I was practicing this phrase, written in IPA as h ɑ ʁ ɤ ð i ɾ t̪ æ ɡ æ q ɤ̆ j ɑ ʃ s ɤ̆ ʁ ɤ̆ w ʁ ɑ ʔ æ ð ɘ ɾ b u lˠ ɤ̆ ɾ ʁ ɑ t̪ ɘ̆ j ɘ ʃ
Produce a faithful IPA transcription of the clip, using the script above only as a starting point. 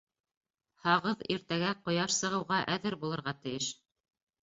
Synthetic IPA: h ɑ ʁ ɤ ð i ɾ t̪ æ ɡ æ q ŏ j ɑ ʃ s ɤ̆ ʁ ɤ̆ w ʁ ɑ ʔ æ ð ɘ ɾ b u lˠ ɤ̆ ɾ ʁ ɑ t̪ ɘ̆ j ɘ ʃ